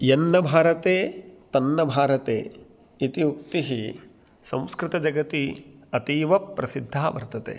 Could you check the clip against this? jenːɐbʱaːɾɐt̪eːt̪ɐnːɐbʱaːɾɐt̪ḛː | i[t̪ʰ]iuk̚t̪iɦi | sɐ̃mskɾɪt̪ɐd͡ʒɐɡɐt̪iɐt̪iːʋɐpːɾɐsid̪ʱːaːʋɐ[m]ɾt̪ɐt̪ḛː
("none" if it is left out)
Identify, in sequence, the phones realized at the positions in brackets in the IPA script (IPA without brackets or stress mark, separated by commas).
t̪, none